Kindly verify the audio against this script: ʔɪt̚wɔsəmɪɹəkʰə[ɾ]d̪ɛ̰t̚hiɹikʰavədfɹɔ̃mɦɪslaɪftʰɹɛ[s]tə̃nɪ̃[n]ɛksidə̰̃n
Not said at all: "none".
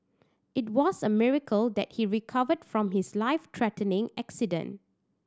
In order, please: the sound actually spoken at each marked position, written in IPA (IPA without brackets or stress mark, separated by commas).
l, none, ŋ